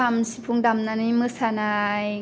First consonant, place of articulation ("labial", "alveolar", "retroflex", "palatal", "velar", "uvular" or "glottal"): labial